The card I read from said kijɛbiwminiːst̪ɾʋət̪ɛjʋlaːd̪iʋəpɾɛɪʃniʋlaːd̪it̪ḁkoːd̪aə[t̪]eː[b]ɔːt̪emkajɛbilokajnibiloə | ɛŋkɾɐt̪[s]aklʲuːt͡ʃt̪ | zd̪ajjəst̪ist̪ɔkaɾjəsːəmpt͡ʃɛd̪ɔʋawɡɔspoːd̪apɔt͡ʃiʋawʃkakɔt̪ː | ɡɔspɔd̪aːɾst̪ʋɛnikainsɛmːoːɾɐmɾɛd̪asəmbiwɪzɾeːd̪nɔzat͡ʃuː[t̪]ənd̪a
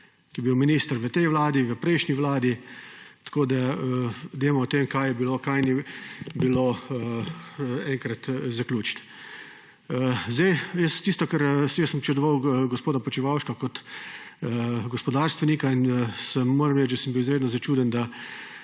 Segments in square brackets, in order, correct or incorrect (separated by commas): incorrect, incorrect, incorrect, incorrect